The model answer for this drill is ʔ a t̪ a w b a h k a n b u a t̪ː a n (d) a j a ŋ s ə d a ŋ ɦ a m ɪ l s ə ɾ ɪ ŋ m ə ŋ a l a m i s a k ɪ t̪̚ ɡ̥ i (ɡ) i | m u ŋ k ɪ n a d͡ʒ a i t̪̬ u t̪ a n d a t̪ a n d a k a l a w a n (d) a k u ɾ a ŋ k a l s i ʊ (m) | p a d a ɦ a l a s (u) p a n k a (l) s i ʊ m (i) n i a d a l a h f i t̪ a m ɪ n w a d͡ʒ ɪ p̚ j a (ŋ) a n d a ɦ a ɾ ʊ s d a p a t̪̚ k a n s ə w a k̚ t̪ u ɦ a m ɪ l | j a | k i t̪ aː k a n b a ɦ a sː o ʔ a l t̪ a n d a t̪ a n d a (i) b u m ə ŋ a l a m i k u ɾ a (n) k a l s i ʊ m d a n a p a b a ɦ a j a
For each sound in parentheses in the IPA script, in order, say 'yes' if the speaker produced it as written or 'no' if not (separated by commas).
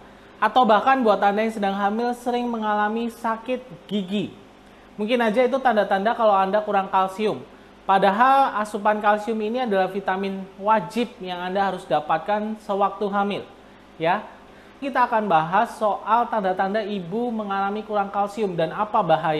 yes, yes, yes, yes, yes, yes, yes, yes, yes, no